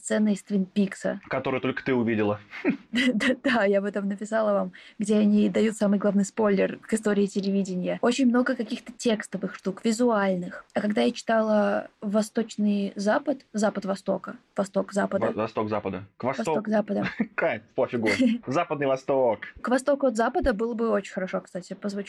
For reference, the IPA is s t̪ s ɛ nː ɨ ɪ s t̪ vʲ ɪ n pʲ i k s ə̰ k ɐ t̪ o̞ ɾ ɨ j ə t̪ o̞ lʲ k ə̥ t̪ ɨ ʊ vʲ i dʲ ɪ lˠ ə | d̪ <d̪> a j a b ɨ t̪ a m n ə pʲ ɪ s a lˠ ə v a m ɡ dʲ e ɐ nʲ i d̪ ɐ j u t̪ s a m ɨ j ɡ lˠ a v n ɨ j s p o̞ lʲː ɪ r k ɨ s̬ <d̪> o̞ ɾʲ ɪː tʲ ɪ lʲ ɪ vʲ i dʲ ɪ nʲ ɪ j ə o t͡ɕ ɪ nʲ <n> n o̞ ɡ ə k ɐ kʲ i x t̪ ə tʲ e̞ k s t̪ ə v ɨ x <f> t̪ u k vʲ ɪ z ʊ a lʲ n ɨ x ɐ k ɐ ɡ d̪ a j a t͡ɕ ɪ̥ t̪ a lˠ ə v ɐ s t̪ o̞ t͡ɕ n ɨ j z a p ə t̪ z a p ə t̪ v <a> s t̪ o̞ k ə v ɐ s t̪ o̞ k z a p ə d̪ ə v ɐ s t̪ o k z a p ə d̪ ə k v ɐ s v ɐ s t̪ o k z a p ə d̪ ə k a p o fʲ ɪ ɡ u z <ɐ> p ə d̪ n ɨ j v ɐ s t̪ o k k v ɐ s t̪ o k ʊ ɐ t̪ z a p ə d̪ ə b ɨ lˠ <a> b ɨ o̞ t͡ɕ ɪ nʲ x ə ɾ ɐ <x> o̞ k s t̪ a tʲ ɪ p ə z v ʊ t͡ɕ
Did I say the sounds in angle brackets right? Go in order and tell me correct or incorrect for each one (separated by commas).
correct, incorrect, incorrect, incorrect, incorrect, incorrect, incorrect, incorrect